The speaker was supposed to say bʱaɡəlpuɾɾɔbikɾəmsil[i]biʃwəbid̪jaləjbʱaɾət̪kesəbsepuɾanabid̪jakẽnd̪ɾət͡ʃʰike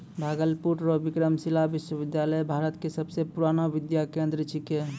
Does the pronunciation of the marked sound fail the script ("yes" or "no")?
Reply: yes